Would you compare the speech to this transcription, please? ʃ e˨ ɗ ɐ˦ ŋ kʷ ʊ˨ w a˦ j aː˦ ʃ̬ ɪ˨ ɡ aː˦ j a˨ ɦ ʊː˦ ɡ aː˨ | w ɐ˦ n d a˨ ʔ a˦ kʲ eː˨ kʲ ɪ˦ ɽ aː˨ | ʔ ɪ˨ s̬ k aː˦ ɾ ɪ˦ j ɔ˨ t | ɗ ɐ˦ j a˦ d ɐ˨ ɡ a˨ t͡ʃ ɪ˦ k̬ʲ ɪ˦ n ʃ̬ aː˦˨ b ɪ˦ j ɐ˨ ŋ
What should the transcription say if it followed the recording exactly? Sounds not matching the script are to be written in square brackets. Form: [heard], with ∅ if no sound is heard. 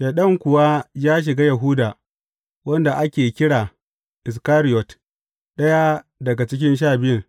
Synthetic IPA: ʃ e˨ ɗ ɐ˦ ŋ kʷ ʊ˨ w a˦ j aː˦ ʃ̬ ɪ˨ ɡ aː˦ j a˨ ɦ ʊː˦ [d] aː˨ | w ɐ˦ n d a˨ ʔ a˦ kʲ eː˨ kʲ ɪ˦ ɽ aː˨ | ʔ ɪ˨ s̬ k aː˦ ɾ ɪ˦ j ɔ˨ t | ɗ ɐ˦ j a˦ d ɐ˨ ɡ a˨ t͡ʃ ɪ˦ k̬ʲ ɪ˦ n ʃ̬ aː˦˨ b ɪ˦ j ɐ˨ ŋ